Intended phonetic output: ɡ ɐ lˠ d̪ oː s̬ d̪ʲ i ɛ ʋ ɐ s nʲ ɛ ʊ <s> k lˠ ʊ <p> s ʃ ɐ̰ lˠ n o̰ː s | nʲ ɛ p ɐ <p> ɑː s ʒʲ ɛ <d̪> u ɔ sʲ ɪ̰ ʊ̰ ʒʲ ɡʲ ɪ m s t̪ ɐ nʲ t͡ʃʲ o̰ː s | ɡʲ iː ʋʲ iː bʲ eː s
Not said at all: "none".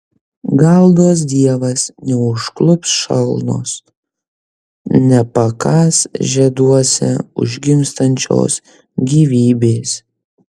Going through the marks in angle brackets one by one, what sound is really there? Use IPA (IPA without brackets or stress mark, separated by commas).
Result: ʃ, p, k, d̪